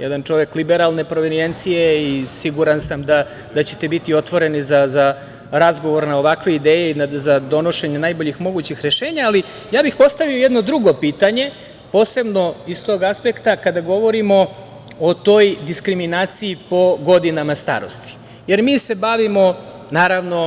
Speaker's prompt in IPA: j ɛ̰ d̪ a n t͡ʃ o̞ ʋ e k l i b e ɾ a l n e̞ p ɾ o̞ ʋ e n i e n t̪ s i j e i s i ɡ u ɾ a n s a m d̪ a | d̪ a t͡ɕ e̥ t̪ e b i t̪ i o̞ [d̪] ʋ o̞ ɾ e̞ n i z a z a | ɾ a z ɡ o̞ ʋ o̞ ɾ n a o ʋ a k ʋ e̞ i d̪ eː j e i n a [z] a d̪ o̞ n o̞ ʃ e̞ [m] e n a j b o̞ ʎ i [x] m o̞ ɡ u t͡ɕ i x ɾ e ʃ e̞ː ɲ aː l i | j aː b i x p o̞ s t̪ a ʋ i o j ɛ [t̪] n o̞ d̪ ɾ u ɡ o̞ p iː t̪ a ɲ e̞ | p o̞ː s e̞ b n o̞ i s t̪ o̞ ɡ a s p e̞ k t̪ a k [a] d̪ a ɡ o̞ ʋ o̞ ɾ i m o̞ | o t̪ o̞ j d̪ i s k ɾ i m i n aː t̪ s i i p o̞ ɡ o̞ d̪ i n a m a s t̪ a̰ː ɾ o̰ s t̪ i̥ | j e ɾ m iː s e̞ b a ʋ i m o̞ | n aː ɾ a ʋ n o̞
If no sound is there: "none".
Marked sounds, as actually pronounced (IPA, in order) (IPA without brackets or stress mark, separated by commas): t̪, z, ɲ, x, d̪, a